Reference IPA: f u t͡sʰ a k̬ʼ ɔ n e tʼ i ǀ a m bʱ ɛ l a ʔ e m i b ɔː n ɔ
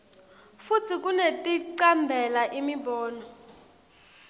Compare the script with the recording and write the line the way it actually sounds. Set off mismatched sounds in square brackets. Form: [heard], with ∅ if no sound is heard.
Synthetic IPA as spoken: f u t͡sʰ [i] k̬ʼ [u] n e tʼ i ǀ a m bʱ ɛ l a ʔ [i] m i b ɔː n ɔ